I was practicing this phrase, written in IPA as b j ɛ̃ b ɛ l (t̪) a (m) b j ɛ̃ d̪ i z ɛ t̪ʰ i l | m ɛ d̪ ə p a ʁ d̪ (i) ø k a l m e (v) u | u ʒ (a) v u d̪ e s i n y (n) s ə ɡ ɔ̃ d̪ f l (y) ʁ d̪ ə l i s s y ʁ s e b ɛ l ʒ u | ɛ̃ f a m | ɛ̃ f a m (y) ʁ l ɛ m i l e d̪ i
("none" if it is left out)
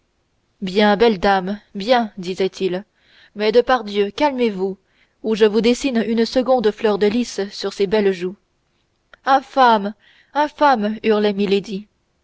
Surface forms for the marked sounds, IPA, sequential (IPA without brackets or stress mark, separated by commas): d̪, m, j, v, ə, n, œ, y